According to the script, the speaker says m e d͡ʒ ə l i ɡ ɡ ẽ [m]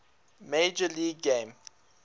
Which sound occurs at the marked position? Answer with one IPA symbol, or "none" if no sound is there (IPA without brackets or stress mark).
m